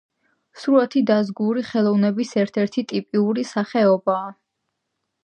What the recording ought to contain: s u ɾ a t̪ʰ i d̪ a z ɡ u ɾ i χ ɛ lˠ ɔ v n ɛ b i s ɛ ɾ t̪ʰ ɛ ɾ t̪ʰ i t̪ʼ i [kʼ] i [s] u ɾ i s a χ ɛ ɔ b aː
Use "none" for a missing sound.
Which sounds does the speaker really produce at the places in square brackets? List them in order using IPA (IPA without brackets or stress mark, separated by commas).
pʼ, none